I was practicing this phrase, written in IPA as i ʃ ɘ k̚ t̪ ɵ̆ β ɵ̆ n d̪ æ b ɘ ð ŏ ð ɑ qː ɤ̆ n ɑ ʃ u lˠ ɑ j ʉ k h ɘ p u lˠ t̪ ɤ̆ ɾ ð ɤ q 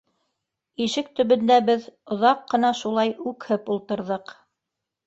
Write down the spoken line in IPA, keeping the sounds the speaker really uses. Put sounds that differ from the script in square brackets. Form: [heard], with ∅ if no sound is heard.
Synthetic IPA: i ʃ ɘ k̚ t̪ ɵ̆ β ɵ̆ n d̪ æ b ɘ ð ŏ ð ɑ qː ɤ̆ n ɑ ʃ u lˠ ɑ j ʉ k h ɘ p u lˠ t̪ ɤ̆ ɾ ð ɤ q